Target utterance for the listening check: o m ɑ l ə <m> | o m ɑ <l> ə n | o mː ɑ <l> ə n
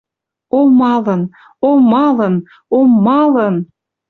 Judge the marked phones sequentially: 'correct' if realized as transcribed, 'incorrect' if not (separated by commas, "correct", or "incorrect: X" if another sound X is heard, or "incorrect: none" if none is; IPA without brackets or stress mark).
incorrect: n, correct, correct